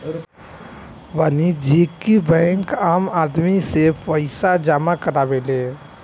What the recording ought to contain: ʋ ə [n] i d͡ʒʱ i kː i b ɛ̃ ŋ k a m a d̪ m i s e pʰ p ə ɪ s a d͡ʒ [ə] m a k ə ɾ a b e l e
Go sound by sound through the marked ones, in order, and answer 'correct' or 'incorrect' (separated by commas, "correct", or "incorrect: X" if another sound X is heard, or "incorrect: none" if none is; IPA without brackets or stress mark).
correct, incorrect: a